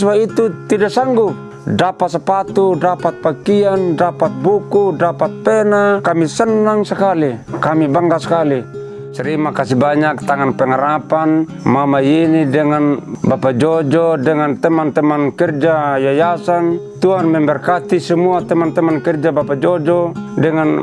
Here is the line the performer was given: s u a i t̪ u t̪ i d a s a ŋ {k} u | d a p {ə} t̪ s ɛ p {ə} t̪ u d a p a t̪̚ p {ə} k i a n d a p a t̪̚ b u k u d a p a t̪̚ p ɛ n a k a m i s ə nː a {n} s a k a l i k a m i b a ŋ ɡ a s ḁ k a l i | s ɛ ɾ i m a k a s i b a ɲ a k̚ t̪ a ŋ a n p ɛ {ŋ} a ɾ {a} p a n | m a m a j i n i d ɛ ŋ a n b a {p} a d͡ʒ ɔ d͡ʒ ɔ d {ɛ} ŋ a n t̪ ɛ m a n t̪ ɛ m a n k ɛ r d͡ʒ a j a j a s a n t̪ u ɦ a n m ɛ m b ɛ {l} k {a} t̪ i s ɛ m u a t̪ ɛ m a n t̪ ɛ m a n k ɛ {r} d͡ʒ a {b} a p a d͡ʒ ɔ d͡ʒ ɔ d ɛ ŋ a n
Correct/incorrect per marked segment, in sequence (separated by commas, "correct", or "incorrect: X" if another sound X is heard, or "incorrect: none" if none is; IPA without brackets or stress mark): incorrect: ɡ, incorrect: a, incorrect: a, incorrect: a, incorrect: ŋ, correct, correct, correct, correct, incorrect: r, correct, correct, correct